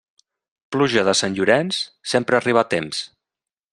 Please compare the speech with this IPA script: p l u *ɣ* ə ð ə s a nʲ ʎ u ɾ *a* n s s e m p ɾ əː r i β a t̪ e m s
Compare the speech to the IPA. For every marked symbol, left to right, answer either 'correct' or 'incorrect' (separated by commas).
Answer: incorrect, incorrect